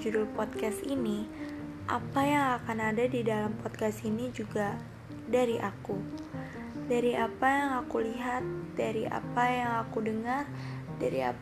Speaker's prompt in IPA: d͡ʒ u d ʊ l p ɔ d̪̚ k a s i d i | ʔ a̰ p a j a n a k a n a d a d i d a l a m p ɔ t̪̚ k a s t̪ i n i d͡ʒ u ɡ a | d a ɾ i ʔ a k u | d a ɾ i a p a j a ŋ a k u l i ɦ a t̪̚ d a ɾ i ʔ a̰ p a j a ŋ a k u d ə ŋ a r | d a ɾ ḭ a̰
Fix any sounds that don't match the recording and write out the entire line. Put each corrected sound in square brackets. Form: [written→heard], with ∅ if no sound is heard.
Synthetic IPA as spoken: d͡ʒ u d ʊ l p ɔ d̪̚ k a s i [d→n] i | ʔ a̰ p a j a [n→ŋ] a k a n a d a d i d a l a m p ɔ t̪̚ k a s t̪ i n i d͡ʒ u ɡ a | d a ɾ i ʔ a k u | d a ɾ i a p a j a ŋ a k u l i ɦ a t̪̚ d a ɾ i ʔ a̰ p a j a ŋ a k u d ə ŋ a r | d a ɾ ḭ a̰